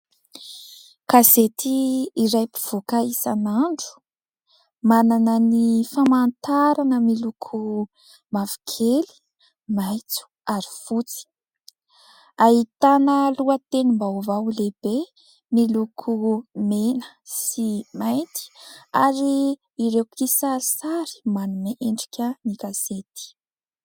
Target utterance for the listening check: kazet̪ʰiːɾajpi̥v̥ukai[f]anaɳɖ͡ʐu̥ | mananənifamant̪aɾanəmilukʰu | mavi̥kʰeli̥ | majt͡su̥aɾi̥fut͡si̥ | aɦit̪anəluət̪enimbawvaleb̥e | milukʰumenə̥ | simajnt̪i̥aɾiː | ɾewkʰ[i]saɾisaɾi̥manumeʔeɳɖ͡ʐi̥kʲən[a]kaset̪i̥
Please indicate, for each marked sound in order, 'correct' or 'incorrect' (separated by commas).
incorrect, correct, incorrect